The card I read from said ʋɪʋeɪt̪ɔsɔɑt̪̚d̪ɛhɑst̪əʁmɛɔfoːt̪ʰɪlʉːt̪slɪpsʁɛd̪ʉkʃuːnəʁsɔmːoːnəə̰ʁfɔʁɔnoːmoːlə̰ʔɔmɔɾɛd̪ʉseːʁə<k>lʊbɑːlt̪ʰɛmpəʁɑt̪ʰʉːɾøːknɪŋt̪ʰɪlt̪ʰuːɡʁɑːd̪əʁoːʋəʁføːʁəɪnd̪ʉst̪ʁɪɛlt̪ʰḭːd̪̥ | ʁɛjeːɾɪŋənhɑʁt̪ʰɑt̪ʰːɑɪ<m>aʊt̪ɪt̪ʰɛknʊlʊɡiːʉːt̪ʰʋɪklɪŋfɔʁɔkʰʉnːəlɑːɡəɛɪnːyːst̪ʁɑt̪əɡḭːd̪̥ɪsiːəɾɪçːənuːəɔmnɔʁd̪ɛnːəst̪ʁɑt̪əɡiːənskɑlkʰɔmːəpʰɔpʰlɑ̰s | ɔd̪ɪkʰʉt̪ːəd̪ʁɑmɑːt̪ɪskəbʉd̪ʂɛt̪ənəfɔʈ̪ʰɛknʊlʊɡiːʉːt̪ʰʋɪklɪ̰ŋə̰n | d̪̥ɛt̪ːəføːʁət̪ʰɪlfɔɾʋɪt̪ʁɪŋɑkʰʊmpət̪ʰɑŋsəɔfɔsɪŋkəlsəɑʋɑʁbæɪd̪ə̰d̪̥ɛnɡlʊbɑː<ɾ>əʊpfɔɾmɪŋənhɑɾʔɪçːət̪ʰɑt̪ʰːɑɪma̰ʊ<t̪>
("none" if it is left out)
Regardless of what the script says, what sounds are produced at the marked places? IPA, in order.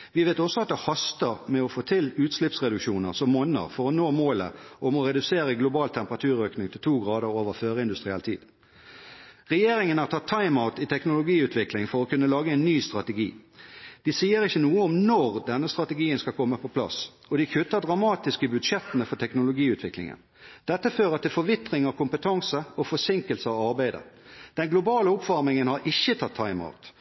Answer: ɡ, m, l, t̪

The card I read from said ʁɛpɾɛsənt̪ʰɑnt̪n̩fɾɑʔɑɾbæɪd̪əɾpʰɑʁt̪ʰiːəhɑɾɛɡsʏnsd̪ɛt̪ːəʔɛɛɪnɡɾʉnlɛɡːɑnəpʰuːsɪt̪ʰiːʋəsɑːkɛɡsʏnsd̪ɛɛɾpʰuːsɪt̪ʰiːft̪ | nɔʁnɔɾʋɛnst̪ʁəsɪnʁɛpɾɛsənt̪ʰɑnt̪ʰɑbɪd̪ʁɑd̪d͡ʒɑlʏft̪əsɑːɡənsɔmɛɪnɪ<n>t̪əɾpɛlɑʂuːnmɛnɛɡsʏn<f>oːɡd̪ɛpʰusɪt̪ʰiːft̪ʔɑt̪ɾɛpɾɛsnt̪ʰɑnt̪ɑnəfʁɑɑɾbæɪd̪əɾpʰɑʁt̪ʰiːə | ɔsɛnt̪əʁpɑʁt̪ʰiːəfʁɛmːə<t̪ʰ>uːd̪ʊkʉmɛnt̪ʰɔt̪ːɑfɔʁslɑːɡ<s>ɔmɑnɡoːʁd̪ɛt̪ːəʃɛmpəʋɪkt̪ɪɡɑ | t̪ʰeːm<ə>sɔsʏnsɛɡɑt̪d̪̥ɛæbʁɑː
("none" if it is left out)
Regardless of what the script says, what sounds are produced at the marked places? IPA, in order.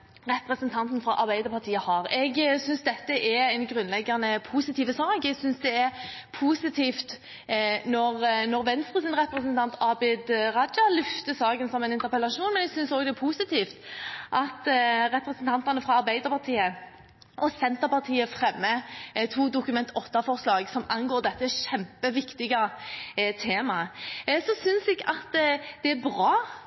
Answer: n, s, t̪ʰ, s, ɑ

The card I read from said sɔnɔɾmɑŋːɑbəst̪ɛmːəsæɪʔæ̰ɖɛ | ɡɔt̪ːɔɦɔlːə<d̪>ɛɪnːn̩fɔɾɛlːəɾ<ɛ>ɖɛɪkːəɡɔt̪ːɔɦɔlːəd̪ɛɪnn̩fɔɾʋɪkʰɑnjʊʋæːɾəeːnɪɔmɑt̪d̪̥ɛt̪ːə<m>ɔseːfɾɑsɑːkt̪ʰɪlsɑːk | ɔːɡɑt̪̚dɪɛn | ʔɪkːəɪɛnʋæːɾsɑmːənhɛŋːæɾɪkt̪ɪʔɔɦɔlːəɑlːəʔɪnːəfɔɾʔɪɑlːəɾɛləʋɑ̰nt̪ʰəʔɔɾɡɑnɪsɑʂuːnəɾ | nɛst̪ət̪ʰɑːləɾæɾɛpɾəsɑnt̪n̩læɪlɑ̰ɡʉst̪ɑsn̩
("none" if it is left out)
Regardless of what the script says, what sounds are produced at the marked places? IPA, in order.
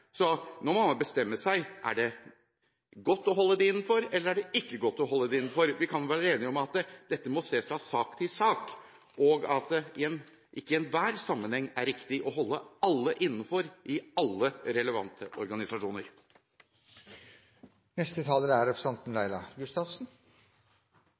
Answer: d̪, æ, m

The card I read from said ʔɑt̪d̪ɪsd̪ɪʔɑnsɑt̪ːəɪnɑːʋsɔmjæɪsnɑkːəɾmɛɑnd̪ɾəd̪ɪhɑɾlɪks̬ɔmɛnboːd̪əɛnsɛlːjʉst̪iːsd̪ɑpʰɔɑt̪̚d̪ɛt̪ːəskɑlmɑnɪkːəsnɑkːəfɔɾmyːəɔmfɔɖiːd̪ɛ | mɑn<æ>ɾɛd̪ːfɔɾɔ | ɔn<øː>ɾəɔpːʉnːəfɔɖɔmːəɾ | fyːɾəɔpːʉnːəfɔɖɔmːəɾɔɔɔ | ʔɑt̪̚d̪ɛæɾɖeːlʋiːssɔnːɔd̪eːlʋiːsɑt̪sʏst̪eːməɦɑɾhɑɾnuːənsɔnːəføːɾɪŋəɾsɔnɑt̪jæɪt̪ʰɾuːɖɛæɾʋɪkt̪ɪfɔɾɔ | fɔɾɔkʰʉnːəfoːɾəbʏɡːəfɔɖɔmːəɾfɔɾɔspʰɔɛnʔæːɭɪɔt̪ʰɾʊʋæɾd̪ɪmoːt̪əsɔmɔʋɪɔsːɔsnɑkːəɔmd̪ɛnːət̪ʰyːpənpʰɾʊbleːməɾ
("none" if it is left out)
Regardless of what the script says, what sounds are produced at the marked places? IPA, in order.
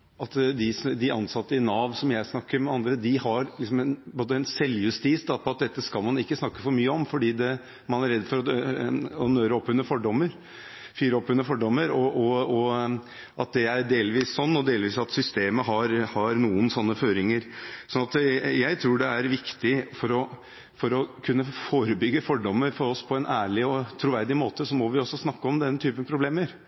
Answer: æ, øː

